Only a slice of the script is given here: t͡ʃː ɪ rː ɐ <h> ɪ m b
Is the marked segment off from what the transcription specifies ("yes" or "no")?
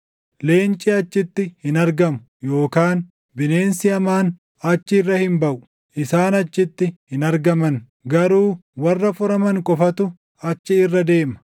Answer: no